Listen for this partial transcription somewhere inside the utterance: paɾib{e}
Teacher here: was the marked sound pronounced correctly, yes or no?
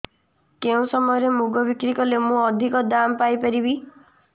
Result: no